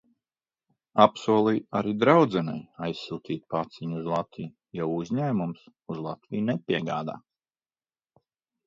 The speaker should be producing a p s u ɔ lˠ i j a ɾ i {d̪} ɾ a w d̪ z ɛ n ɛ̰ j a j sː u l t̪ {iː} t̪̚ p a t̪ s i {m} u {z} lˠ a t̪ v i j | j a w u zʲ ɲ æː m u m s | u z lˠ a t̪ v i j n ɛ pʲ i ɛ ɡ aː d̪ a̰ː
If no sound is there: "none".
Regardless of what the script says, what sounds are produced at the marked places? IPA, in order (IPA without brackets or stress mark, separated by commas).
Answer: d̪, iː, ɲ, z